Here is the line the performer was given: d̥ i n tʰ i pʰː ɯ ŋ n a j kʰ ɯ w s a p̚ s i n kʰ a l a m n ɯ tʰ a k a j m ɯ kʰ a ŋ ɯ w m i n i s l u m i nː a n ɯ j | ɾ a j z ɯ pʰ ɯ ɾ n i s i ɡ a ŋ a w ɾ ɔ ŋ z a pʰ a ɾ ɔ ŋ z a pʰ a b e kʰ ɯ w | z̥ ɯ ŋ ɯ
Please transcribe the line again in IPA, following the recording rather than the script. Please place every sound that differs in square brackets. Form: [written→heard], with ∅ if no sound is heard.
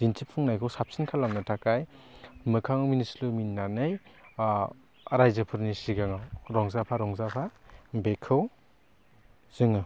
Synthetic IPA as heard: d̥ i n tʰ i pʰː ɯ ŋ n a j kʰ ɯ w s a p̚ s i n kʰ a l a m n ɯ tʰ a k a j m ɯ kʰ a ŋ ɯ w m i n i s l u m i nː a n ɯ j | ɾ a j z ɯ pʰ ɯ ɾ n i s i ɡ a ŋ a w ɾ ɔ ŋ z a pʰ a ɾ ɔ ŋ z a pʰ a b e kʰ ɯ w | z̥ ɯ ŋ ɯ